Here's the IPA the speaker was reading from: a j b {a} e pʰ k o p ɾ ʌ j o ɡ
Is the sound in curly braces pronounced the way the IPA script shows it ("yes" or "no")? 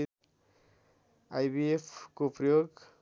no